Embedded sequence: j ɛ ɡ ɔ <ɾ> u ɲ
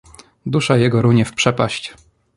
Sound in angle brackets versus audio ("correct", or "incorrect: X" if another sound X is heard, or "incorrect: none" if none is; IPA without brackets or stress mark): correct